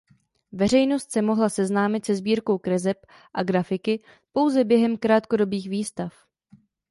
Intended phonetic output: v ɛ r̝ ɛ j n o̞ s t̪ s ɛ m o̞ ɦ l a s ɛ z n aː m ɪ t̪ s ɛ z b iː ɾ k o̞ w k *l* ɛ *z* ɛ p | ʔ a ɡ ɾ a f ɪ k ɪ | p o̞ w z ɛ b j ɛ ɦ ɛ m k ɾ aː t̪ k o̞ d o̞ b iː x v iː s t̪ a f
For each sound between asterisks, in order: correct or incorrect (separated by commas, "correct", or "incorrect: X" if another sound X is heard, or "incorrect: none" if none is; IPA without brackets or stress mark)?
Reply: incorrect: ɾ, correct